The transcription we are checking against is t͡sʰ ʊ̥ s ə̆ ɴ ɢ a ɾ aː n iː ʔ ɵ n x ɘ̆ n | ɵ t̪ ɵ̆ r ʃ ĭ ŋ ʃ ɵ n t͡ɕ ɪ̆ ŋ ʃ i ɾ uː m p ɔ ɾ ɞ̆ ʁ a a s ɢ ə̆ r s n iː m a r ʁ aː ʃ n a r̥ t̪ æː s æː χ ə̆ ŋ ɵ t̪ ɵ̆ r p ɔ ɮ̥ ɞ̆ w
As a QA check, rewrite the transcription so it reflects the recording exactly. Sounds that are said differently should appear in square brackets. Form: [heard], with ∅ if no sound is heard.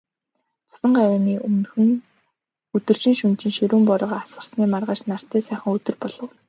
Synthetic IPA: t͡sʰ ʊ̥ s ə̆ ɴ ɢ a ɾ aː n iː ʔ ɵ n x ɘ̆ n | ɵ t̪ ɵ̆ r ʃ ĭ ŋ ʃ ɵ n t͡ɕ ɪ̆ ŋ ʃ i ɾ uː m p ɔ ɾ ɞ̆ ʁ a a s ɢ ə̆ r s n iː m a r ʁ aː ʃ n a r̥ t̪ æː s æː χ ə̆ ŋ ɵ t̪ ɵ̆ r p ɔ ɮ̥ ɞ̆ w

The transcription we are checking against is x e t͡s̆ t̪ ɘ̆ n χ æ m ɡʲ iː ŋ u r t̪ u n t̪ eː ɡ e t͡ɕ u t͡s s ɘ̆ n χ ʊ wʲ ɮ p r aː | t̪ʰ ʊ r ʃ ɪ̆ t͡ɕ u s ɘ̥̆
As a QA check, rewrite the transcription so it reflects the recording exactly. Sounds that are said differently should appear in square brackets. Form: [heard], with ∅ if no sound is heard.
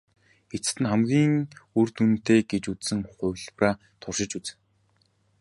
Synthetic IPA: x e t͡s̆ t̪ ɘ̆ n χ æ m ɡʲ iː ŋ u r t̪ u n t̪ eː ɡ e t͡ɕ u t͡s s ɘ̆ [ŋ] χ ʊ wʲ ɮ p r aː | t̪ʰ ʊ r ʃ ɪ̆ t͡ɕ u [t͡s] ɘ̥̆

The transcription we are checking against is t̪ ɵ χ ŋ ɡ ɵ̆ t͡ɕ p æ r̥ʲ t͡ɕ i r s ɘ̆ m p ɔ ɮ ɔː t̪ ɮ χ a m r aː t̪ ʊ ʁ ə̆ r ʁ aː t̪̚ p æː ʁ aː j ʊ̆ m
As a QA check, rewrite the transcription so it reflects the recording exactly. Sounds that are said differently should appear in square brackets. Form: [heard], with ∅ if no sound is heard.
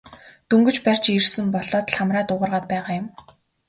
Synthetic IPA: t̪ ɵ [∅] ŋ ɡ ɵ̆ t͡ɕ p æ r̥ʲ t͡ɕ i r s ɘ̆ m p ɔ ɮ ɔː t̪ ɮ χ a m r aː t̪ ʊ ʁ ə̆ r ʁ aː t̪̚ p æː ʁ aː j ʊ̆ m

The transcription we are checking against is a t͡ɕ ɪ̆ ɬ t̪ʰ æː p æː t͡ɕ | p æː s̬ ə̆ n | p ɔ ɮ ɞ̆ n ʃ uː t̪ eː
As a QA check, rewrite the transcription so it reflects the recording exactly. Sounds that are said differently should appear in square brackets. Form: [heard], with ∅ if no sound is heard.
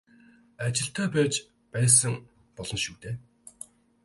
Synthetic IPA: a t͡ɕ ɪ̆ ɬ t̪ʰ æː p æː t͡ɕ | p æː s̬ ə̆ [ŋ] | p ɔ ɮ ɞ̆ n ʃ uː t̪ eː

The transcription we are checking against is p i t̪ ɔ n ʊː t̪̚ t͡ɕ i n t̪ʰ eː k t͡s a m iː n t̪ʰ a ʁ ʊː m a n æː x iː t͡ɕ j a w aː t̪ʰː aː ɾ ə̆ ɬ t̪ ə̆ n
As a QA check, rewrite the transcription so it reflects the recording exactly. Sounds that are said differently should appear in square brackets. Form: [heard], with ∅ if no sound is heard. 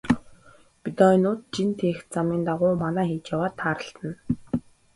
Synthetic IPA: p i t̪ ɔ n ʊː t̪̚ t͡ɕ i n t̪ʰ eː [x] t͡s a m iː n [t̪] a ʁ ʊː m a n æː x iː t͡ɕ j a w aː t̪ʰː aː ɾ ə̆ ɬ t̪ ə̆ n

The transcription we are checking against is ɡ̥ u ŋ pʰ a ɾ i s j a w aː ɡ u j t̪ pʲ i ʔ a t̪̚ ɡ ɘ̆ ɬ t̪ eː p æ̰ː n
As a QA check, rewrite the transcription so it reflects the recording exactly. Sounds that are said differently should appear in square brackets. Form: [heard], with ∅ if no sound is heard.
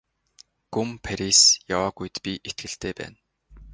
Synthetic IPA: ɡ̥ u [m] pʰ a ɾ i s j a w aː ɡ u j t̪ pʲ i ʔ [e] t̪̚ ɡ ɘ̆ ɬ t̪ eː p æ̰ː n

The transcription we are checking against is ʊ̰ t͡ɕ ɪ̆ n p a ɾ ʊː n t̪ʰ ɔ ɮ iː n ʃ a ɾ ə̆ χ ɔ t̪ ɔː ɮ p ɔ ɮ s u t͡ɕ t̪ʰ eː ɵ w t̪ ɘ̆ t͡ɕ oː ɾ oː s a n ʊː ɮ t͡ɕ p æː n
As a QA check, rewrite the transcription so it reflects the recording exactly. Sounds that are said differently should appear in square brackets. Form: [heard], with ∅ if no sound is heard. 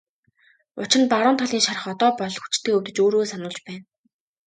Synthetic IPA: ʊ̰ t͡ɕ ɪ̆ n p a ɾ ʊː n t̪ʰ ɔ ɮ iː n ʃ a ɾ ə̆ χ ɔ t̪ ɔː [∅] p ɔ ɮ [x] u t͡ɕ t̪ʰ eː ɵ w t̪ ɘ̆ t͡ɕ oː ɾ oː s a n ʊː ɮ t͡ɕ p æː n

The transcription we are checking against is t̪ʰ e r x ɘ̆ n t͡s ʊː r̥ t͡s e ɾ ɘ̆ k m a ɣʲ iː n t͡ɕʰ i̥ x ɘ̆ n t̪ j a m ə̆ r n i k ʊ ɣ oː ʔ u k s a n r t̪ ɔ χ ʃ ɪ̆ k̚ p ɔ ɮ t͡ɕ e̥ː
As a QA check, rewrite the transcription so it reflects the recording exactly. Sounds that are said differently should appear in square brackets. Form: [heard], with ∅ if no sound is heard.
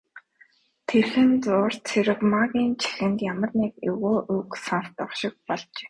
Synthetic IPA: t̪ʰ e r x ɘ̆ n t͡s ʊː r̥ [t͡sʰ] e ɾ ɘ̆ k m a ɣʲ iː n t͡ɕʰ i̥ x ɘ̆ n t̪ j a m ə̆ r n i k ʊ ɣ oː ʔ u k s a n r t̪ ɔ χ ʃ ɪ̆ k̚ p ɔ ɮ t͡ɕ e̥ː

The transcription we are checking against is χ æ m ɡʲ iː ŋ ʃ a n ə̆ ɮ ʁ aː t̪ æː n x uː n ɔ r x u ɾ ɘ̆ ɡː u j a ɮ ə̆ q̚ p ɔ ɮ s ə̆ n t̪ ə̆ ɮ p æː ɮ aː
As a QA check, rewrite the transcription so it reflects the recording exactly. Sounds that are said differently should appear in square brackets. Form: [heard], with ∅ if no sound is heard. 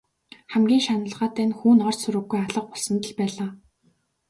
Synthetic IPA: χ æ m ɡʲ iː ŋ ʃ a n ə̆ ɮ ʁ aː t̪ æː n x uː n ɔ r [s] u ɾ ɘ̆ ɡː u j a ɮ ə̆ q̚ p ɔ ɮ s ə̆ n t̪ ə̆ ɮ p æː ɮ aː

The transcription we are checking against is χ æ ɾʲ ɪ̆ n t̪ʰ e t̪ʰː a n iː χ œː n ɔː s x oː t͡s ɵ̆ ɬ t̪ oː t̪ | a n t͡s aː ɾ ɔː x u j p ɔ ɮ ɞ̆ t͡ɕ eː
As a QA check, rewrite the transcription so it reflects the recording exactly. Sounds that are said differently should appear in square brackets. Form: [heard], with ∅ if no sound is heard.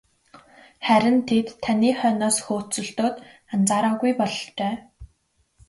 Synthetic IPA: χ æ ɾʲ ɪ̆ n t̪ʰ e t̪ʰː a n iː χ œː n ɔː s x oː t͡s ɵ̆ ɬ t̪ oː t̪ | a n t͡s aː ɾ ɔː [ɣ] u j p ɔ ɮ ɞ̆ t͡ɕ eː

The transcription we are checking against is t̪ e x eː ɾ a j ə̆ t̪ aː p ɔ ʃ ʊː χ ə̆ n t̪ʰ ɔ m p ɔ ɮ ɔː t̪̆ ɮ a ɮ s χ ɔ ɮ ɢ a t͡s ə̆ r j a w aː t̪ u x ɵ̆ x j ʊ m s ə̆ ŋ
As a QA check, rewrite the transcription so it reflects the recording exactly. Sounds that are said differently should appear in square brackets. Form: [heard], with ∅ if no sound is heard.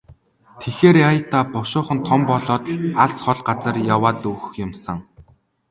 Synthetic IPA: [t̪ʰ] e x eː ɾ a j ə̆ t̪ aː p ɔ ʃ ʊː χ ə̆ n t̪ʰ ɔ m p ɔ ɮ ɔː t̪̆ ɮ a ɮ s χ ɔ ɮ ɢ a t͡s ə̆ r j a w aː t̪ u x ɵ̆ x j ʊ m s ə̆ ŋ

